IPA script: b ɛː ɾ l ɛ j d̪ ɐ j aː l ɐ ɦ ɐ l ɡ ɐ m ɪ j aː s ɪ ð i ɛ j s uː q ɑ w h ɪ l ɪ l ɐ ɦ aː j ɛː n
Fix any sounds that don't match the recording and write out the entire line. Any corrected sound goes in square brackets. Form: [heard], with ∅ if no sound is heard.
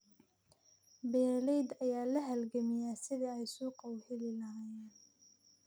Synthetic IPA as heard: b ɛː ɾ l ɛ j d̪ ɐ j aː l ɐ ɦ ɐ l ɡ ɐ m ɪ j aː s ɪ ð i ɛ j s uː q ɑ w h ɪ l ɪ l ɐ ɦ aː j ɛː n